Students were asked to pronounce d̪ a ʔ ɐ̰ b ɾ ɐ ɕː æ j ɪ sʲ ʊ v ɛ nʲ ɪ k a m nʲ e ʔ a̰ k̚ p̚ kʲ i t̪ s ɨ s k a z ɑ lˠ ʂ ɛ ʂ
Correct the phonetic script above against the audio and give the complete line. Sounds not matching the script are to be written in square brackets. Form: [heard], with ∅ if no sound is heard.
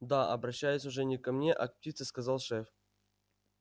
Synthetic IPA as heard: d̪ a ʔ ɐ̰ b ɾ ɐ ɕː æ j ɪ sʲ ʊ [ʐ] ɛ nʲ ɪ k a m nʲ e ʔ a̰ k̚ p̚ [tʲ] i t̪ s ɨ s k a z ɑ lˠ ʂ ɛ [f]